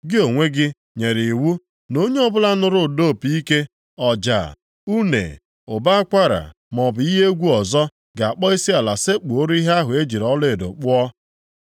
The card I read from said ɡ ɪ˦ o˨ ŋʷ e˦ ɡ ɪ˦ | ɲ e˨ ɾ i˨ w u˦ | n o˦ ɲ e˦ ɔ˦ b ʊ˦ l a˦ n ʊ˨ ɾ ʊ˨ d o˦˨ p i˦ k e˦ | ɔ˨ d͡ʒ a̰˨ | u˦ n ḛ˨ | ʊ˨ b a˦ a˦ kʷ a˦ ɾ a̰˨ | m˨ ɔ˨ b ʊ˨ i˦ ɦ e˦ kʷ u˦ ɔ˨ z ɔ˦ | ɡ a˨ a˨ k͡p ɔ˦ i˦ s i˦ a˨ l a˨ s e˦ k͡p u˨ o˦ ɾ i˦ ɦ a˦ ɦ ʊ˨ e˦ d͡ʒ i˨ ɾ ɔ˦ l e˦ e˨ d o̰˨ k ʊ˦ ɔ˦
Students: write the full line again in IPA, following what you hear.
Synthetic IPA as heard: ɡ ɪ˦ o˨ ŋʷ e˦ ɡ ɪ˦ | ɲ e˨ ɾ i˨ w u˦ | n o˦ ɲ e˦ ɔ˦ b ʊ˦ l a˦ n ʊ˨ ɾ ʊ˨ d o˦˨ p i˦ k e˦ | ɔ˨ d͡ʒ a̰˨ | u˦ n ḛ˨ | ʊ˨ b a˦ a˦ kʷ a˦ ɾ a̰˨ | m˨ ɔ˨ b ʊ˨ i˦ ɦ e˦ ɡʷ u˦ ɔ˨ z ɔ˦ | ɡ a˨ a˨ k͡p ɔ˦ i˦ s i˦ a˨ l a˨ s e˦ k͡p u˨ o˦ ɾ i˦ ɦ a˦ ɦ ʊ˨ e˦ d͡ʒ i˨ ɾ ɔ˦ l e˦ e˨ d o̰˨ k͡p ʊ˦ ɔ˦